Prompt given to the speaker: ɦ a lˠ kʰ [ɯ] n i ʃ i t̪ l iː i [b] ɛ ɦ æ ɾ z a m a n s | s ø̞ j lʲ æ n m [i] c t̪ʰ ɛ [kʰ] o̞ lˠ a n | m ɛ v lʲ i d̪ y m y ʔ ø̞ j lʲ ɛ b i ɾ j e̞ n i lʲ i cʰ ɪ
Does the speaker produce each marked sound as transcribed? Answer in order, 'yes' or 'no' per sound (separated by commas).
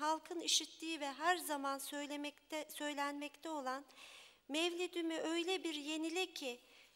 yes, no, no, no